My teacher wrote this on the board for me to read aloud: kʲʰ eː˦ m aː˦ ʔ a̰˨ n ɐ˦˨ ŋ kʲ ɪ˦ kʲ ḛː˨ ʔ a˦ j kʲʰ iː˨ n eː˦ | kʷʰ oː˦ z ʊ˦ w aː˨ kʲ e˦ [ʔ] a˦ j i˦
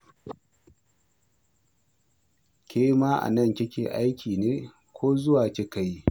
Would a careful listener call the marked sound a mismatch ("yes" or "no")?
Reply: yes